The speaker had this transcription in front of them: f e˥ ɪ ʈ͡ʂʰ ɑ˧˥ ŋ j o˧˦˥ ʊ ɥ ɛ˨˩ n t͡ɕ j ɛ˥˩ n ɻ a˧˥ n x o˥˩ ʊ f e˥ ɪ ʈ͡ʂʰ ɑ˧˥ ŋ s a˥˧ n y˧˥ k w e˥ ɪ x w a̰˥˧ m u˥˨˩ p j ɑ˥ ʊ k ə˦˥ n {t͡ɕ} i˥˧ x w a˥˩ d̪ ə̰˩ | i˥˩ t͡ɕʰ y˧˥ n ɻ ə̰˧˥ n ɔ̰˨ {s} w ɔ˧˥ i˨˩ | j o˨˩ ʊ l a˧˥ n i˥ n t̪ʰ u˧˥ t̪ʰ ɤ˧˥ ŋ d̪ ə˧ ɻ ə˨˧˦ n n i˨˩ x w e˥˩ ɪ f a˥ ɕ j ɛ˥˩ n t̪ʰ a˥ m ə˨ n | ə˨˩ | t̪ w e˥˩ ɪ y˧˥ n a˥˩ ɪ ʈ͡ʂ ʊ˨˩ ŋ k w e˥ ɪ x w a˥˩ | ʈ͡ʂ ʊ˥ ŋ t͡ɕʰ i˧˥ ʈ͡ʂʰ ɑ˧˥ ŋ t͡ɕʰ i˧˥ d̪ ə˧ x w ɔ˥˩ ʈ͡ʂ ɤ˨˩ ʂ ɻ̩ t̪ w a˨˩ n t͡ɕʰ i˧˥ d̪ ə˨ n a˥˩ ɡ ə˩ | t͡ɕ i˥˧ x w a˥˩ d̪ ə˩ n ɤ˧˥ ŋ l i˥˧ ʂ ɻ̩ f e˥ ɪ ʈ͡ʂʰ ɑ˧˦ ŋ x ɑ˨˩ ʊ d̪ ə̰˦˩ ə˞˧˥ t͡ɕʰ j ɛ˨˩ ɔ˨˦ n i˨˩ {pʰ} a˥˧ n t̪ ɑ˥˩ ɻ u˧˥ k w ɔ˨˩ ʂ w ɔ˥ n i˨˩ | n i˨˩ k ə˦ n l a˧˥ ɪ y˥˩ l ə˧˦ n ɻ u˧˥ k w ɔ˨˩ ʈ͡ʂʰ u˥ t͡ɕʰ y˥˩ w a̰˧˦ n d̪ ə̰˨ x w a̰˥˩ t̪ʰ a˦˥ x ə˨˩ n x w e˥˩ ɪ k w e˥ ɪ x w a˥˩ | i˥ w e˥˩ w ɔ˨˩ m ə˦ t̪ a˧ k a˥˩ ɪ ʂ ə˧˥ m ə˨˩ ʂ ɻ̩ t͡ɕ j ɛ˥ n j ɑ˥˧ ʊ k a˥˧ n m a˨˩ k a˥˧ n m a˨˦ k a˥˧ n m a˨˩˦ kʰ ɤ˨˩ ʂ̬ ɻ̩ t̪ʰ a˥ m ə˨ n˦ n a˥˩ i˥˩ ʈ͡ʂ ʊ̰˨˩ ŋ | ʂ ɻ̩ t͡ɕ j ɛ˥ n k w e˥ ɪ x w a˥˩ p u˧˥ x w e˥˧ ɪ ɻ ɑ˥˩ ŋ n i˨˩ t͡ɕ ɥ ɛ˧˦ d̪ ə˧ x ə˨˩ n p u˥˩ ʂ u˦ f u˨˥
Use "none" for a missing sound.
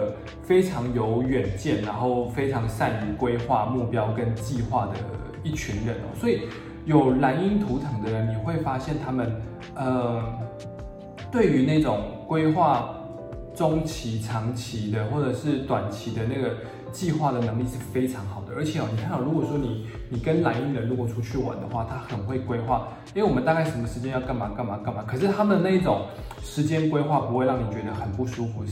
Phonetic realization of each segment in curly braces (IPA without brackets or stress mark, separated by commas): t͡ɕ, s, kʰ